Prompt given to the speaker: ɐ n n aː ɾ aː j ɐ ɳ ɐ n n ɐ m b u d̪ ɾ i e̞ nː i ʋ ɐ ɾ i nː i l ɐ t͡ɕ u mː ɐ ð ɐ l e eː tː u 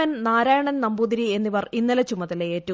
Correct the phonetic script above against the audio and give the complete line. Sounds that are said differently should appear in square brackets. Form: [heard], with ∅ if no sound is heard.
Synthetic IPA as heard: ɐ n n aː ɾ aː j ɐ ɳ ɐ n n ɐ m b u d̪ ɾ i e̞ nː i ʋ ɐ [r] i nː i l ɐ t͡ɕ u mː ɐ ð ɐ l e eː tː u